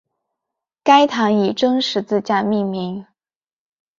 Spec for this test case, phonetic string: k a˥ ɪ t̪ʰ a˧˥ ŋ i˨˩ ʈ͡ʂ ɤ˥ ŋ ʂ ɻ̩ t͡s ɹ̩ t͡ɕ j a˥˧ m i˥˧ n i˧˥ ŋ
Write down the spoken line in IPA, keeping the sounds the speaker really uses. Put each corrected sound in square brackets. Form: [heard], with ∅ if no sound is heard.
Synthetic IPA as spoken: k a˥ ɪ t̪ʰ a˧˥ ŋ i˨˩ ʈ͡ʂ ɤ˥ ŋ ʂ ɻ̩ t͡s ɹ̩ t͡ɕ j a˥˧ m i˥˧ [m] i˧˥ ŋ